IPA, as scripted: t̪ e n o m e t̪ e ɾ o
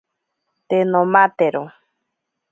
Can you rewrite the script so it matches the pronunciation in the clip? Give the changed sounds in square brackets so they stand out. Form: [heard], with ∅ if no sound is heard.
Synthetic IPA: t̪ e n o m [a] t̪ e ɾ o

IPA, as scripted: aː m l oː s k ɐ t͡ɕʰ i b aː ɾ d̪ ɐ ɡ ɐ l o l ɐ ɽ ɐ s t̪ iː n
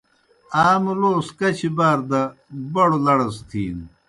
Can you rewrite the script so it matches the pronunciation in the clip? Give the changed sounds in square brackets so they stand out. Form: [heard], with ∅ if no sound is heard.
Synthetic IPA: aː m l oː s k ɐ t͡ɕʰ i b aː ɾ d̪ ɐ [b] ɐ [ɽ] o l ɐ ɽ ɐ s [t̪ʰ] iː n

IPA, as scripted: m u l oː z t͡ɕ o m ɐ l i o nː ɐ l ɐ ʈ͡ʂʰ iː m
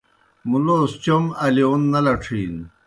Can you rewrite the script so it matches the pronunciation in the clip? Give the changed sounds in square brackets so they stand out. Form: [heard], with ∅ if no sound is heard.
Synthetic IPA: m u l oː [s] t͡ɕ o m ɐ l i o nː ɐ l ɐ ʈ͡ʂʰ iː [n]

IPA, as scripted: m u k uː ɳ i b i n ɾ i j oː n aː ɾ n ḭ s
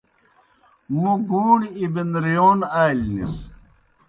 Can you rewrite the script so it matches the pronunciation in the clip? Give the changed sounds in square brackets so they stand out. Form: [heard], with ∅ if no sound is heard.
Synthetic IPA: m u [ɡ] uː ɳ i b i n ɾ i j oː n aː [l] n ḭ s

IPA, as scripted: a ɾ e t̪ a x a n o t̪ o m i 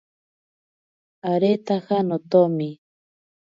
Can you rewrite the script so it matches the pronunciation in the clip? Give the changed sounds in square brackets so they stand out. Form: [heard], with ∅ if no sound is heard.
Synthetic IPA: a ɾ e t̪ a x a n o t̪ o m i

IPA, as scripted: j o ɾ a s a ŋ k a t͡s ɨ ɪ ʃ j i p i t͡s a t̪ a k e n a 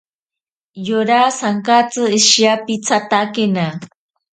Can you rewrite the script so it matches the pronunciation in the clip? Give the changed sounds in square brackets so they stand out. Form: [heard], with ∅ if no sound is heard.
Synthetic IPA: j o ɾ a s a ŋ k a t͡s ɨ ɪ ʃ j [a] p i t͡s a t̪ a k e n a

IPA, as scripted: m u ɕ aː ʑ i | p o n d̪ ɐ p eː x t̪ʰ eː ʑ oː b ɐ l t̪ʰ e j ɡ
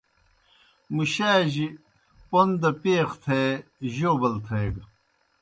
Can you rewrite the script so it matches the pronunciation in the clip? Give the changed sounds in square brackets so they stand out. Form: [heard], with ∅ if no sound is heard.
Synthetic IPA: m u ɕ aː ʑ i | p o n d̪ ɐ p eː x t̪ʰ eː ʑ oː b ɐ l t̪ʰ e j ɡ

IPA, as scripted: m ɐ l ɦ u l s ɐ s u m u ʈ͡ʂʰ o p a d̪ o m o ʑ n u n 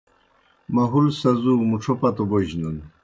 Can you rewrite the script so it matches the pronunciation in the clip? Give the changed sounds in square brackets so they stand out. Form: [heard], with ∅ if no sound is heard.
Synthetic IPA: m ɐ [∅] ɦ u l s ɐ [z] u m u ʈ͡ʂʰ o p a [t̪] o [b] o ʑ n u n

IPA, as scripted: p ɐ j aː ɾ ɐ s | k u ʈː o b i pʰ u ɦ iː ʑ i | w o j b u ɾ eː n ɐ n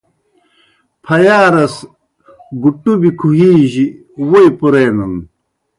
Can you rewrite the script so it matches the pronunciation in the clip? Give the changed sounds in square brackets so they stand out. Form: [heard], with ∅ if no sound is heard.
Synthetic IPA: [pʰ] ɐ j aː ɾ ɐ s | [ɡ] u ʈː [u] b i [kʰ] u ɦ iː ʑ i | w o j [p] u ɾ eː n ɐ n

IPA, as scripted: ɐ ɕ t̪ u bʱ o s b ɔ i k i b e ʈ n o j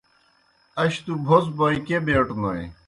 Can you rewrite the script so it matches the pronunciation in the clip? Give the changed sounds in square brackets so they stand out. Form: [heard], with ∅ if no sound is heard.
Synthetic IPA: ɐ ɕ t̪ u bʱ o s b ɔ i k [e] b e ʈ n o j

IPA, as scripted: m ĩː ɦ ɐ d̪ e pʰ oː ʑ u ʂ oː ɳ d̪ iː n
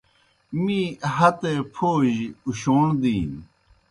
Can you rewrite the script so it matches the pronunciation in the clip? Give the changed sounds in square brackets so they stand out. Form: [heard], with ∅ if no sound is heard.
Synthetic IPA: m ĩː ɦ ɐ [t̪] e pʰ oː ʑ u [ɕ] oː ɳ d̪ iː n

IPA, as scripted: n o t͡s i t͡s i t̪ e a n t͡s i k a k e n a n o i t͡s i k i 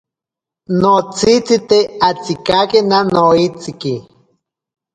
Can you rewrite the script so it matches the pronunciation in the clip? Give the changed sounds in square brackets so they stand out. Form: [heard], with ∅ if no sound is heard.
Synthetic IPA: n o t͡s i t͡s i t̪ e a [∅] t͡s i k a k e n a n o i t͡s i k i

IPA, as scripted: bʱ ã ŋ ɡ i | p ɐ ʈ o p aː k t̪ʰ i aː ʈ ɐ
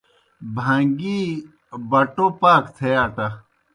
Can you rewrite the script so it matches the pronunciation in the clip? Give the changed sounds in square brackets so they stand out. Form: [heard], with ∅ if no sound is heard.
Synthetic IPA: bʱ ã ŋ ɡ i | [b] ɐ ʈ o p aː k t̪ʰ [e] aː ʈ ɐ

